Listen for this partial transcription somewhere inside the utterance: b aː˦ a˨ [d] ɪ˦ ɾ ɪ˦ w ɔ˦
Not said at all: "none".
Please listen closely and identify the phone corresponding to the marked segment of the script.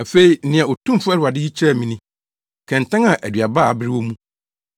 b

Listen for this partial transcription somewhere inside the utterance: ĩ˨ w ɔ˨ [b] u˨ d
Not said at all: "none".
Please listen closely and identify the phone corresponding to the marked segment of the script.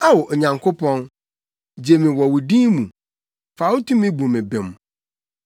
w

